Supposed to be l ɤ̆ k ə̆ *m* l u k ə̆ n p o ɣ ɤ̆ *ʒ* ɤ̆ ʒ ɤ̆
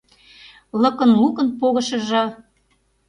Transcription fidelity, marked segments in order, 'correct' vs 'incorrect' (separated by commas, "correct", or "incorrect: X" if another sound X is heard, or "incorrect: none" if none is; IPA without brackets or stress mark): incorrect: n, incorrect: ʃ